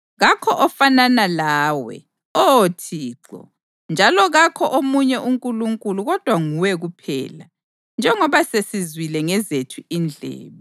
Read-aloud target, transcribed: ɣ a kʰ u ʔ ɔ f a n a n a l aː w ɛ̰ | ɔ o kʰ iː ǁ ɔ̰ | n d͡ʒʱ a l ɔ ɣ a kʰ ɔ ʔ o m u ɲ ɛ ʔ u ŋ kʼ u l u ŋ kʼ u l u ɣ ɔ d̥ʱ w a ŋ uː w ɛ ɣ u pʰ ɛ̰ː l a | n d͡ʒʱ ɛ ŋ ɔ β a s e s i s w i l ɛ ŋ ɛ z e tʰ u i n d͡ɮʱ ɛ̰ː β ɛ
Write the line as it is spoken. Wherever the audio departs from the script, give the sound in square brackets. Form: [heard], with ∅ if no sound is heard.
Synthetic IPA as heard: ɣ a kʰ [ɔ] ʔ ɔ f a n a n a l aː w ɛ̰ | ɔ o [tʰ] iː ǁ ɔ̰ | n d͡ʒʱ a l ɔ ɣ a kʰ ɔ ʔ o m u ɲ ɛ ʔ u ŋ kʼ u l u ŋ kʼ u l u ɣ ɔ d̥ʱ w a ŋ [u] w ɛ ɣ u pʰ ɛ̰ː l a | n d͡ʒʱ ɛ ŋ ɔ β a s e s i [z] w i l ɛ ŋ ɛ z e tʰ u i n d͡ɮʱ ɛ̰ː β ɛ